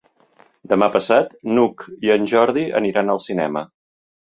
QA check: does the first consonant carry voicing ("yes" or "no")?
yes